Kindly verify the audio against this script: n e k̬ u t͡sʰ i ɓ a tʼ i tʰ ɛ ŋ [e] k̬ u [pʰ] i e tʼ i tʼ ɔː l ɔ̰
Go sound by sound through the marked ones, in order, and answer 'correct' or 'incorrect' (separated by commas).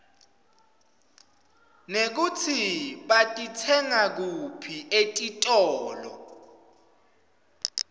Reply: incorrect, correct